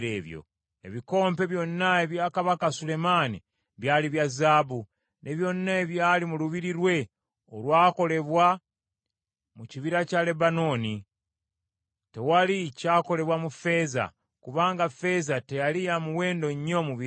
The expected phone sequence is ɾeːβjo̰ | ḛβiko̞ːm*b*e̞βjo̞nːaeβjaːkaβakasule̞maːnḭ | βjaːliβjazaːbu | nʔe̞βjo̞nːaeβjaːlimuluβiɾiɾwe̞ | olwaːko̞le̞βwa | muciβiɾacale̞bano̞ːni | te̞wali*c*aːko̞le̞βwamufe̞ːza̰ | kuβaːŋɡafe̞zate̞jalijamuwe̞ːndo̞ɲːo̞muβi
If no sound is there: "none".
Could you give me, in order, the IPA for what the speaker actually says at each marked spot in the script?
p, c

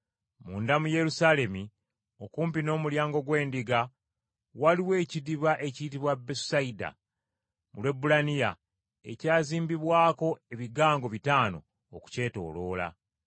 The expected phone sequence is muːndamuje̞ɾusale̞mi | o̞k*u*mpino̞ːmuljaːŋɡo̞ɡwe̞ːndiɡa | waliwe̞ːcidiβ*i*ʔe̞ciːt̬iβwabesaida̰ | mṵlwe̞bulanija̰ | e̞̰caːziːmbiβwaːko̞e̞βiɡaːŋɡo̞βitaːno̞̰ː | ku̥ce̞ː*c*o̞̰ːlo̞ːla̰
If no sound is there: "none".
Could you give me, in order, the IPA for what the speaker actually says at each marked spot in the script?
uː, a, t

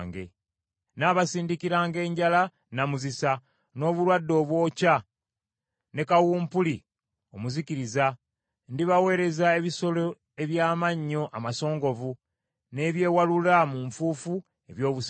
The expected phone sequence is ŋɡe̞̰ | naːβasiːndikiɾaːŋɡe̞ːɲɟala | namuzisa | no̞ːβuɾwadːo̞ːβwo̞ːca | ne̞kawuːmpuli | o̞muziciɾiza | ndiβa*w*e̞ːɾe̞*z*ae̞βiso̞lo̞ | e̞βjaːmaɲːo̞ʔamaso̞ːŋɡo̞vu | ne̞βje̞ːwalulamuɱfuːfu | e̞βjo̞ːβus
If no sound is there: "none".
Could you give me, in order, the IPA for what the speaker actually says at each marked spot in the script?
w, z

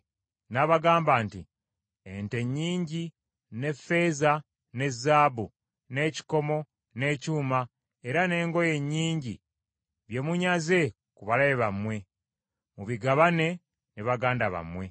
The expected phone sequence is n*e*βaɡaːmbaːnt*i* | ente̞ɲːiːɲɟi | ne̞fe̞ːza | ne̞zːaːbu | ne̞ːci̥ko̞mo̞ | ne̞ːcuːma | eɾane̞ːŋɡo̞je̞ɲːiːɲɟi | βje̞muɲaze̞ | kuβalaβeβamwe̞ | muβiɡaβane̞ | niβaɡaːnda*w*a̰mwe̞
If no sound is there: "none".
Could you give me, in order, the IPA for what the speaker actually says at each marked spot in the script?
a, i, β

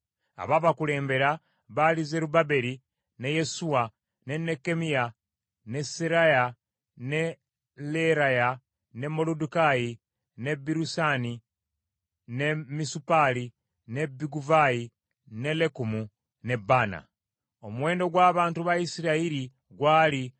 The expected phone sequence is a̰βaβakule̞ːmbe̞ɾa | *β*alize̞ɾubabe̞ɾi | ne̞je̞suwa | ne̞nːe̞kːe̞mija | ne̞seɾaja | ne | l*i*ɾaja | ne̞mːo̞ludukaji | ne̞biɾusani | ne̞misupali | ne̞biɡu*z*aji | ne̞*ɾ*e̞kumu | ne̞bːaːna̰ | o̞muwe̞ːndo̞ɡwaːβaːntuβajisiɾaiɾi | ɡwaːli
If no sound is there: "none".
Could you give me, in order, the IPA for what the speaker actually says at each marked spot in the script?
β, e, v, l

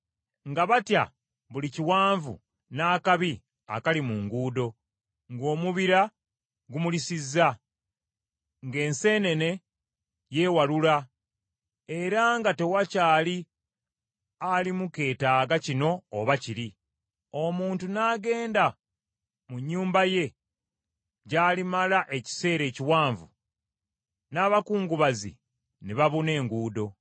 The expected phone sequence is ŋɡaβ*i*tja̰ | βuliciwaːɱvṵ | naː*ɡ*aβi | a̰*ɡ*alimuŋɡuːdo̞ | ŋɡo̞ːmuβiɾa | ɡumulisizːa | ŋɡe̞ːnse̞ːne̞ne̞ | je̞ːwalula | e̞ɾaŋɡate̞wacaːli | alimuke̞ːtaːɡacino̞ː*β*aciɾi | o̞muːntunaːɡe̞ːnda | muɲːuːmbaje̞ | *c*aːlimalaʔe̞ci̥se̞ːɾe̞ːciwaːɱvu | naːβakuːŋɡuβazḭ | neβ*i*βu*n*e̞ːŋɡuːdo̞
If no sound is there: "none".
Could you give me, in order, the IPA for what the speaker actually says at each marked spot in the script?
a, k, k, β, ɟ, a, n

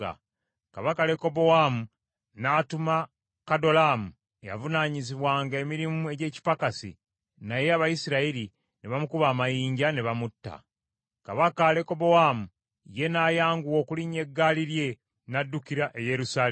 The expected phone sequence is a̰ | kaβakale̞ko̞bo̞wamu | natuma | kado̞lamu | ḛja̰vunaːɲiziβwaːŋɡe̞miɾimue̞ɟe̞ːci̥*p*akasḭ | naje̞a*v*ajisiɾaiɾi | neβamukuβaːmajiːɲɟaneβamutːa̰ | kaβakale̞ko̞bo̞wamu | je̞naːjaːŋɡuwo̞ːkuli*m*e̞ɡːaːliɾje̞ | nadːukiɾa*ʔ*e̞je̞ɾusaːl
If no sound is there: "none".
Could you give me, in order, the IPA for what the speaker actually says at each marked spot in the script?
p, β, ɲ, ʔ

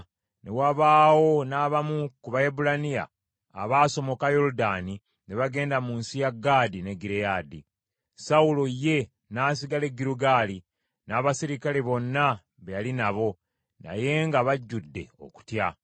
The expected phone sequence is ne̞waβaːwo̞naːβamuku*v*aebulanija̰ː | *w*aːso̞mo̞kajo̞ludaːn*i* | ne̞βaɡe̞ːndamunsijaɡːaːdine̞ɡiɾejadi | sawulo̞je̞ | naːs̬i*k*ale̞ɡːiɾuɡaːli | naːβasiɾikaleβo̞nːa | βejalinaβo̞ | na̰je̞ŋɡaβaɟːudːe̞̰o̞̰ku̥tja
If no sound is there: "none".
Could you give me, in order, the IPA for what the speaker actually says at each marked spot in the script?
β, β, i, ɡ

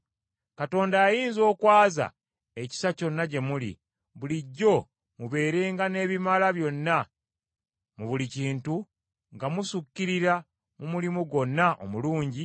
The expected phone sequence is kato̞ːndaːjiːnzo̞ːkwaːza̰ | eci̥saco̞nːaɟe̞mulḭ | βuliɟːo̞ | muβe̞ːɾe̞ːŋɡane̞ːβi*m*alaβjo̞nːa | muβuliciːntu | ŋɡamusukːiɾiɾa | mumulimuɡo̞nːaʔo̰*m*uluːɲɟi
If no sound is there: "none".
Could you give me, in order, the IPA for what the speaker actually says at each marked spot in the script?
m, m

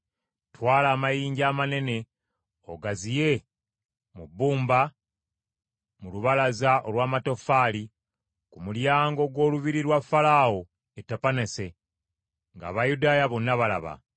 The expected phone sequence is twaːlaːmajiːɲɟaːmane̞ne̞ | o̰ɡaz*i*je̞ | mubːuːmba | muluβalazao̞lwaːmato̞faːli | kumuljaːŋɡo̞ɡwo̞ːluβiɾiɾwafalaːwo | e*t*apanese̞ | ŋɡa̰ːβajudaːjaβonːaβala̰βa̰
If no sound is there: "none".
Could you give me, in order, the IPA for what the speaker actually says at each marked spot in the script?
i, t

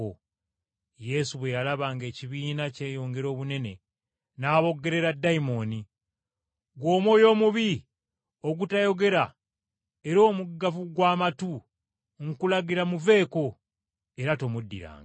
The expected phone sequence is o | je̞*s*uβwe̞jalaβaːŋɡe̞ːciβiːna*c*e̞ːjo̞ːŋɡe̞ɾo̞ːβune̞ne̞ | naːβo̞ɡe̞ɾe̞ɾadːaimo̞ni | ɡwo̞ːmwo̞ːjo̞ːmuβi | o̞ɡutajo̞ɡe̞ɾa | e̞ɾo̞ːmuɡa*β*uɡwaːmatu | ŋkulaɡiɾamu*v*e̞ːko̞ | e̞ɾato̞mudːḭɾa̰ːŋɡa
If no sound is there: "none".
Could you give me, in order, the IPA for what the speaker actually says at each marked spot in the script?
s, c, v, v

